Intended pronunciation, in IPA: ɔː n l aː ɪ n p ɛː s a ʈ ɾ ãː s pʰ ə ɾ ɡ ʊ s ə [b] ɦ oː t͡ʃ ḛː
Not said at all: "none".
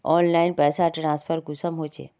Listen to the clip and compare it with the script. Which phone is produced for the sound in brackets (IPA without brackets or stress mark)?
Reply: m